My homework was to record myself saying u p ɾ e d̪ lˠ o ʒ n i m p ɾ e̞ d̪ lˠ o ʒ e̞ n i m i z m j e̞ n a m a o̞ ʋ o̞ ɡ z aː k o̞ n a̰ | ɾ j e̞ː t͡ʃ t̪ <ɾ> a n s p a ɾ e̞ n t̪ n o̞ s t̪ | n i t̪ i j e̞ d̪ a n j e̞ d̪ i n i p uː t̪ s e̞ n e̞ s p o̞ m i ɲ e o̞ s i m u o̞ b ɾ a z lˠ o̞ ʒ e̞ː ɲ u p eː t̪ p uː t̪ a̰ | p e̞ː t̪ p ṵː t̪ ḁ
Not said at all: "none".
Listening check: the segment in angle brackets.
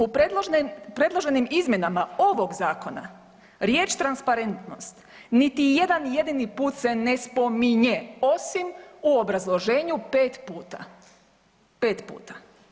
ɾ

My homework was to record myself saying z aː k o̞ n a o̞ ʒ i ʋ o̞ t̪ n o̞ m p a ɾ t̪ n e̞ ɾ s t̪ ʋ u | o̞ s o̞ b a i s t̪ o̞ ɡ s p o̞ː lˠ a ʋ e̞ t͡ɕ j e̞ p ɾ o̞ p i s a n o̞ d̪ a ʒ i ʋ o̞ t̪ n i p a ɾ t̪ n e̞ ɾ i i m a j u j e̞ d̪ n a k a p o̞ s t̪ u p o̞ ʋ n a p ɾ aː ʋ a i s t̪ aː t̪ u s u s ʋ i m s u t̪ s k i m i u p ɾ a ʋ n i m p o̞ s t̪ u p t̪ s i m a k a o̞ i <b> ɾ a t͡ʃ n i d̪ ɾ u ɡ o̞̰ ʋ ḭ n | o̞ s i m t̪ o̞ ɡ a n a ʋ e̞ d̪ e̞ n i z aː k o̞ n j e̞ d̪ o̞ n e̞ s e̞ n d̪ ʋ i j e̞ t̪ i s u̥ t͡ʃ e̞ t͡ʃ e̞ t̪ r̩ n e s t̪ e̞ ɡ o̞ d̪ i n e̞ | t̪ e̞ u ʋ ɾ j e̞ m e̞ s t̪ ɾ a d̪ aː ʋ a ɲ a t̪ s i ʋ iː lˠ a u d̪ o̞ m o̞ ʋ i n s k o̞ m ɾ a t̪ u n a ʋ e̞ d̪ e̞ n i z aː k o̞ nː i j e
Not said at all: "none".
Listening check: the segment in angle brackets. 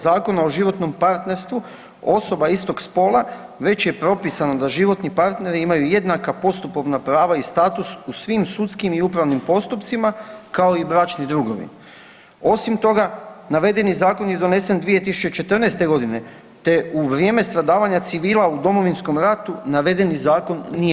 b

